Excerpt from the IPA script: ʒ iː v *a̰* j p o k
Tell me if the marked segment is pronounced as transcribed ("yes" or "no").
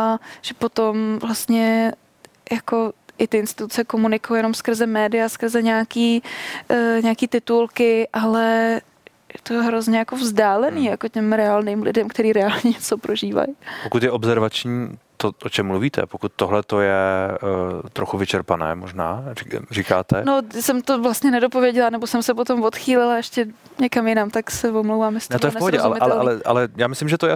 yes